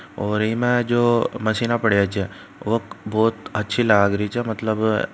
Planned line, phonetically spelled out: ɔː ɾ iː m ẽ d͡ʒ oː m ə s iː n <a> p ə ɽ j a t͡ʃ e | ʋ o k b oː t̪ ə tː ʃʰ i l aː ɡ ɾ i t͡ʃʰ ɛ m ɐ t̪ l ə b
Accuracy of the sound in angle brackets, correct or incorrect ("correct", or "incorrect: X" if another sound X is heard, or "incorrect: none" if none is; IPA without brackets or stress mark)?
correct